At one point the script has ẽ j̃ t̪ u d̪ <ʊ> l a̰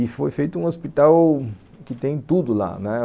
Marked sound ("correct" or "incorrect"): correct